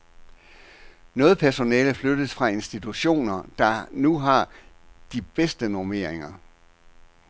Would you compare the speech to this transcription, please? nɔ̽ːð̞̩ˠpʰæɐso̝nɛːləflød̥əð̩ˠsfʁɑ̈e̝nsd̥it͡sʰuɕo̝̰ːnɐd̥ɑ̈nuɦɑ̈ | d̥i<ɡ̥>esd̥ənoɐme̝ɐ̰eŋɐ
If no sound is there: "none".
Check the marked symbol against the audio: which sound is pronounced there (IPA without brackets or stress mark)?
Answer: b̥